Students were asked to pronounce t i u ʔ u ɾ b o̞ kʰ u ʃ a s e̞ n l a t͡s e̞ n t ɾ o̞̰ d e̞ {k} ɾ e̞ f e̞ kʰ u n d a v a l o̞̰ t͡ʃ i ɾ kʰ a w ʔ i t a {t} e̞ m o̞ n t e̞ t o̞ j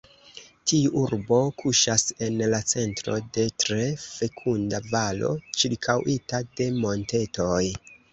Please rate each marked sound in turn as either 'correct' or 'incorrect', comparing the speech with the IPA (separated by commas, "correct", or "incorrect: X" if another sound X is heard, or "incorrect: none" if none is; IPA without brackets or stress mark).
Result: incorrect: t, incorrect: d